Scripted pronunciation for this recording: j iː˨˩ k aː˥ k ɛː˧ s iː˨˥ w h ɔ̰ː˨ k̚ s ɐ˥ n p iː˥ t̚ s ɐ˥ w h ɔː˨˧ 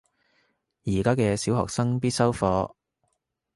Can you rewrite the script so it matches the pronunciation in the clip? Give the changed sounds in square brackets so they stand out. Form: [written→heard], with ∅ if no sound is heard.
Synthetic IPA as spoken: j iː˨˩ k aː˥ k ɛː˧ s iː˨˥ w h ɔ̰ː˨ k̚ s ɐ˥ [n→ŋ] p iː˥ t̚ s ɐ˥ w [h→f] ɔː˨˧